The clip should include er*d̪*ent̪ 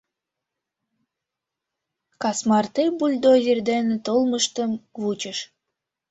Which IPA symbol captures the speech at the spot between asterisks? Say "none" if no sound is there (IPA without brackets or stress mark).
d̪